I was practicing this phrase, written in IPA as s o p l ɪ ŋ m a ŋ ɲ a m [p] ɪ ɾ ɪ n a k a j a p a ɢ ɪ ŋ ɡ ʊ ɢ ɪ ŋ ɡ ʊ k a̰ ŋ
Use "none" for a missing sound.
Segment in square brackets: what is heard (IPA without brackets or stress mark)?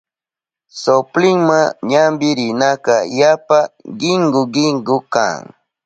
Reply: b